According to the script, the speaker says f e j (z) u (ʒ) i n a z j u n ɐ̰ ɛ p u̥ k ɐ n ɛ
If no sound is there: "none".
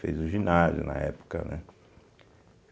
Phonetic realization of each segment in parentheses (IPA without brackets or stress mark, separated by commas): z, ʒ